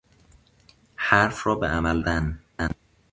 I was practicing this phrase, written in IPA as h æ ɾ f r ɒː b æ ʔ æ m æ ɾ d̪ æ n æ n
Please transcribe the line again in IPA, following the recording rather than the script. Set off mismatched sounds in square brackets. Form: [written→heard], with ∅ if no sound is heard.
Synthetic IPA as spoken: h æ ɾ f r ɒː b [æ→e] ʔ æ m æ [ɾ→l] d̪ æ n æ n